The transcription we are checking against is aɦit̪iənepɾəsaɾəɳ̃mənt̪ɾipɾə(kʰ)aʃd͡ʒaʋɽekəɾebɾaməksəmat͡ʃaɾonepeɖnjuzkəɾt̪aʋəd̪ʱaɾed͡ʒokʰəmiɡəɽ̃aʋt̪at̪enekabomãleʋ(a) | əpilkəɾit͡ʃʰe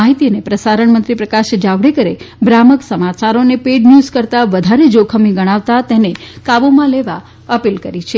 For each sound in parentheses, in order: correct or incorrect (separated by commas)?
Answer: incorrect, correct